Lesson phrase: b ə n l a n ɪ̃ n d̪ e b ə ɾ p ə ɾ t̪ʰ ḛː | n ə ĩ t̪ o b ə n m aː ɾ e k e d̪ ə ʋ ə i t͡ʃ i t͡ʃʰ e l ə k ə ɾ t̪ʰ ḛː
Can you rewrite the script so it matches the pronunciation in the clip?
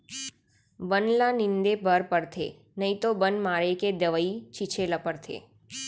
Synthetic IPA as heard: b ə n l a n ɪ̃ n d̪ e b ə ɾ p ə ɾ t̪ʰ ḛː | n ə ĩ t̪ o b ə n m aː ɾ e k e d̪ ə ʋ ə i t͡ʃ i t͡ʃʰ e l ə p ə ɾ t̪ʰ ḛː